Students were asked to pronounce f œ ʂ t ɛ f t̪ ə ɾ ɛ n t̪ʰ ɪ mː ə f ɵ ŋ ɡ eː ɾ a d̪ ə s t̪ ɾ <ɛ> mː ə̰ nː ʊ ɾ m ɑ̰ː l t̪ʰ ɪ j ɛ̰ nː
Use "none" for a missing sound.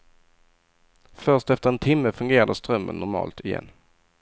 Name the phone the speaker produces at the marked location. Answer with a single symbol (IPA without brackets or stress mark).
œ